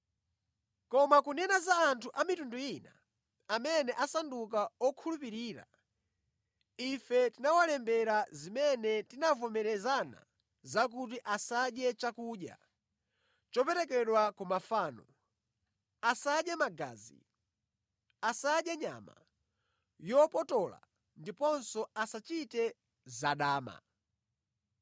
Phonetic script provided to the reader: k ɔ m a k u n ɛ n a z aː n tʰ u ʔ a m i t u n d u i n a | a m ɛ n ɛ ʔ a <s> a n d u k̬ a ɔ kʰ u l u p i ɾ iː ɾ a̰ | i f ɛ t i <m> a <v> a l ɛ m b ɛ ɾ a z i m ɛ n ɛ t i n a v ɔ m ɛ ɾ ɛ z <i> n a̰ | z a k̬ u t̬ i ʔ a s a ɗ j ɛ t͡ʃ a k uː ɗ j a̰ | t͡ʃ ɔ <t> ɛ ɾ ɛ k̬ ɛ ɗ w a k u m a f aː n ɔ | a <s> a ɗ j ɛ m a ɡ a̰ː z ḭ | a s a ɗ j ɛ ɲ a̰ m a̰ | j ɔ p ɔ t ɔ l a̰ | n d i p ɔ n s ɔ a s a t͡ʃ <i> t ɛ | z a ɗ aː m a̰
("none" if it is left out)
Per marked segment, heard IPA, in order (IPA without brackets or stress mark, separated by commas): s, n, w, a, p, s, i